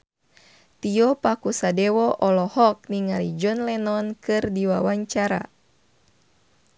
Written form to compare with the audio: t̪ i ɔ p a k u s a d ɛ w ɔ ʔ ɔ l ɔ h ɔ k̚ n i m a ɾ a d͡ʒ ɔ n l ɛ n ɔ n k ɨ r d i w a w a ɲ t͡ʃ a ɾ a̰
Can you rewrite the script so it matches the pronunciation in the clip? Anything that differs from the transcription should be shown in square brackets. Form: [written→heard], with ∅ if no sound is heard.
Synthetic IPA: t̪ i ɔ p a k u s a d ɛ w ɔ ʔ ɔ l ɔ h ɔ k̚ n i [m→ŋ] a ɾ [a→i] d͡ʒ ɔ n l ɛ n ɔ n k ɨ r d i w a w a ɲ t͡ʃ a ɾ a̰